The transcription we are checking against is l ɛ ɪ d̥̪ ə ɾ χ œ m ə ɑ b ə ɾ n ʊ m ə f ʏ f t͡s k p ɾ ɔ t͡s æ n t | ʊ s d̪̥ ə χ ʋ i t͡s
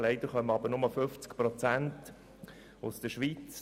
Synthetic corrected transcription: l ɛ ɪ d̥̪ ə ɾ χ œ m ə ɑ b ə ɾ n ʊ m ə f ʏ f t͡s k p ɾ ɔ t͡s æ n t | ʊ s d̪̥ ə ʃ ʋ i t͡s

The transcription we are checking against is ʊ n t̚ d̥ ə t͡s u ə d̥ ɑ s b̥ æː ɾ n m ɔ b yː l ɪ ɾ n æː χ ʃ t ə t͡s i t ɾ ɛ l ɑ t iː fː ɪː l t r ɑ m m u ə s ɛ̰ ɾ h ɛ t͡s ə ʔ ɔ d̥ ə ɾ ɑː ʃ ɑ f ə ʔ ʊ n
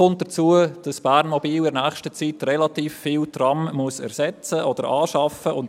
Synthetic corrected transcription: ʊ n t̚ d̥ ə t͡s u ə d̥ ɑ s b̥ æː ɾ n m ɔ b iː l ɪ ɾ n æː χ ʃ t ə t͡s i t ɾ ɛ l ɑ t iː fː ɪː l t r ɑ m m u ə s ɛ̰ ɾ s ɛ t͡s ə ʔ ɔ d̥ ə ɾ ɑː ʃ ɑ f ə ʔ ʊ n

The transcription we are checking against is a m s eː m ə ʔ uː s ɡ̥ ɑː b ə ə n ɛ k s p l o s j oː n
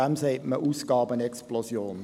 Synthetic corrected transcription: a m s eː m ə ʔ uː s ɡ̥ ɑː b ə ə n ɛ k s p l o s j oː n

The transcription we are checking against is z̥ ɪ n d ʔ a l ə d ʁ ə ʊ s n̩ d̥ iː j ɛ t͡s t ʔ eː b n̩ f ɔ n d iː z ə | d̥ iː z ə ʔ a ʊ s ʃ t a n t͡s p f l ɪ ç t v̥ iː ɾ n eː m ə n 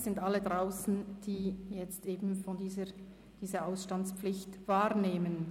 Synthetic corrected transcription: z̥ ɪ n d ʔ a l ə d ʁ a ʊ s n̩ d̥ iː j ɛ t͡s t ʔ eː b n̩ f ɔ n d iː z ə | d̥ iː z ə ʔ a ʊ s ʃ t a n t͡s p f l ɪ ç t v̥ aː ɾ n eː m ə n

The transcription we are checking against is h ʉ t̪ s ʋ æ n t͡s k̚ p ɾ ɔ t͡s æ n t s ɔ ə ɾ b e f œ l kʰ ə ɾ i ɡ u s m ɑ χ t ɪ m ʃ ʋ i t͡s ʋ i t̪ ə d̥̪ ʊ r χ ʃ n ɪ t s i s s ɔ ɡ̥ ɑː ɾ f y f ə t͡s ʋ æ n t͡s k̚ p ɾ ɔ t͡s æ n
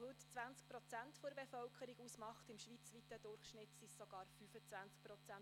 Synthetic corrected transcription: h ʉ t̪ t͡s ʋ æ n t͡s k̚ p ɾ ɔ t͡s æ n t f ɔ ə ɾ b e f œ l kʰ ə ɾ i ɡ u s m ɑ χ t ɪ m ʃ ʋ i t͡s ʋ i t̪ ə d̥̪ ʊ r χ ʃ n ɪ t s i s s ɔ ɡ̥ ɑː ɾ f y f ə t͡s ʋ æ n t͡s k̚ p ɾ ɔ t͡s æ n

